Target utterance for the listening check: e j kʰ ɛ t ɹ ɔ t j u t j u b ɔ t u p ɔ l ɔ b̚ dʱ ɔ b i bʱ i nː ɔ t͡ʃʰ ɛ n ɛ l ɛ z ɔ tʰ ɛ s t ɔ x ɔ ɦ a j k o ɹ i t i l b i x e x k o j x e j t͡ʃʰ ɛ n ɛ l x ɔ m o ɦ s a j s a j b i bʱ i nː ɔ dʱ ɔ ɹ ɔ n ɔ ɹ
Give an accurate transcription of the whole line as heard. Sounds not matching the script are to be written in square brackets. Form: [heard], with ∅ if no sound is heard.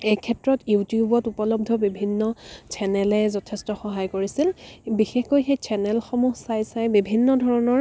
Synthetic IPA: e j kʰ ɛ t ɹ ɔ t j u t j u b ɔ t u p ɔ l ɔ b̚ dʱ ɔ b i bʱ i nː ɔ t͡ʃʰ ɛ n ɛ l ɛ z ɔ tʰ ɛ s t ɔ x ɔ ɦ a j k o ɹ i [s] i l b i x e x k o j x e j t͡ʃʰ ɛ n ɛ l x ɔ m [u] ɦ s a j s a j b i bʱ i nː ɔ dʱ ɔ ɹ ɔ n ɔ ɹ